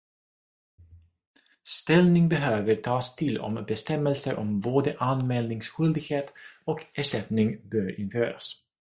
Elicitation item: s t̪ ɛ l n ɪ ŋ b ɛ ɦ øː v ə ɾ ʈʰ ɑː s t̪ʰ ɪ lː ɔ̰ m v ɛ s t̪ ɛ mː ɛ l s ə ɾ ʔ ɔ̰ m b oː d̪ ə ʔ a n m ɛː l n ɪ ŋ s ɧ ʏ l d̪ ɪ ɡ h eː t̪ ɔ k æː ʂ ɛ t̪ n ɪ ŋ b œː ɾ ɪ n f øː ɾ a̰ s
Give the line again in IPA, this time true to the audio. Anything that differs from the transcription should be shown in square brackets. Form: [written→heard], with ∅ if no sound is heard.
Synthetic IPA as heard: s t̪ ɛ l n ɪ ŋ b ɛ ɦ øː v ə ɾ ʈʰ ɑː s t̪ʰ ɪ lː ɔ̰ m [v→b] ɛ s t̪ ɛ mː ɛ l s ə ɾ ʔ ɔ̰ m b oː d̪ ə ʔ a n m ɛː l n ɪ ŋ s ɧ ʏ l d̪ ɪ ɡ h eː t̪ ɔ k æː ʂ ɛ t̪ n ɪ ŋ b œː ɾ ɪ n f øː ɾ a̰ s

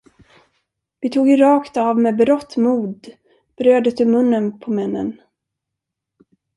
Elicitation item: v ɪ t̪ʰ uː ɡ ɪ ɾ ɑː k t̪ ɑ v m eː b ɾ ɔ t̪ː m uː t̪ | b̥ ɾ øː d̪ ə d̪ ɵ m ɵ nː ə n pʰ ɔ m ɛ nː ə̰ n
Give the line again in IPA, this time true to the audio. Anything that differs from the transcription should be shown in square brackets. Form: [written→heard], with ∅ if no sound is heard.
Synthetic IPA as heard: v ɪ t̪ʰ uː ɡ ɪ ɾ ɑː k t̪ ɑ v m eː b ɾ ɔ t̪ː m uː [t̪→d̪] | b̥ ɾ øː d̪ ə [d̪→t̪] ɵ m ɵ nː ə n pʰ ɔ m ɛ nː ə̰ n

